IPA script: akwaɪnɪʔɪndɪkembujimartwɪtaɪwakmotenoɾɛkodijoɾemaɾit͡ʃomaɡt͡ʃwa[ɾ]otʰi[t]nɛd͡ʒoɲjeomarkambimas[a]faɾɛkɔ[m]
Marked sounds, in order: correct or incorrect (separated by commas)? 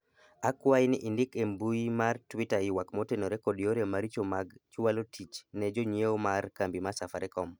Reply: incorrect, incorrect, correct, correct